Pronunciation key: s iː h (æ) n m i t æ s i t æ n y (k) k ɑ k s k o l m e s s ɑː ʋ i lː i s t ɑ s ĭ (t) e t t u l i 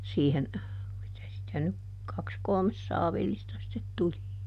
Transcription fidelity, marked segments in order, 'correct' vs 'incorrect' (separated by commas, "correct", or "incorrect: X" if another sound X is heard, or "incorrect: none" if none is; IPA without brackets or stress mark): incorrect: e, correct, correct